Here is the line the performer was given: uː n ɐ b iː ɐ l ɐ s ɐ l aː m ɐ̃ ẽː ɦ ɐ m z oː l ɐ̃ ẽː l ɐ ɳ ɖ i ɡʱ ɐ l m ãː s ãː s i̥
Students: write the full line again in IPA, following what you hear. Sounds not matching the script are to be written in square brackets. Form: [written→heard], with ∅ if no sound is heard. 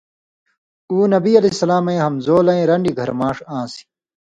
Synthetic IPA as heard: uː n ɐ b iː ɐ l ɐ s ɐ l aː m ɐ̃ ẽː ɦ ɐ m z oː l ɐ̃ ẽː [l→ɾ] ɐ ɳ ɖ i ɡʱ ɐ [l→ɾ] m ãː [s→ʂ] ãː s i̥